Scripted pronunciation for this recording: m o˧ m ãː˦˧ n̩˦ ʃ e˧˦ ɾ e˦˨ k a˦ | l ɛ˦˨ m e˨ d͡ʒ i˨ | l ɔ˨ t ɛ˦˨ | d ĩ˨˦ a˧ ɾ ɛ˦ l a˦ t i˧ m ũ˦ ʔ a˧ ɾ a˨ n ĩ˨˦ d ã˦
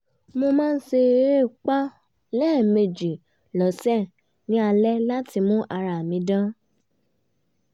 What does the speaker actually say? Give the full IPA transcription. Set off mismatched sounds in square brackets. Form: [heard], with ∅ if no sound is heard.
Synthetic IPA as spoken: m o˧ m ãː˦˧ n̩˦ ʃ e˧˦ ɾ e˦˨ [k͡p] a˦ | l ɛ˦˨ m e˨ d͡ʒ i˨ | l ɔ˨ [s] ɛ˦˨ | [n] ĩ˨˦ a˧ [l] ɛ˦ l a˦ t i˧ m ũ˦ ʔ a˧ ɾ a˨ [m] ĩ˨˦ d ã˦